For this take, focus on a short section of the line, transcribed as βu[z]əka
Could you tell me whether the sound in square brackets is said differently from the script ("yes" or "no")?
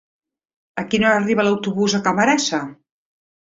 no